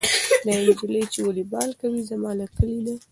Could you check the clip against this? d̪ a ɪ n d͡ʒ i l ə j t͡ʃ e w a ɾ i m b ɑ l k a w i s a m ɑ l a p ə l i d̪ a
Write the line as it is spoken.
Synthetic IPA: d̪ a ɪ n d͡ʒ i l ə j t͡ʃ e w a l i b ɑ l k a w i z a m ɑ l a k ə l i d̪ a